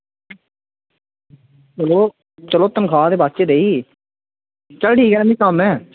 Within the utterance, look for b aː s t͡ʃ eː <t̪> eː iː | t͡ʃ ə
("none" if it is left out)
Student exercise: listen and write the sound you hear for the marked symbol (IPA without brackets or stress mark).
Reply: d̪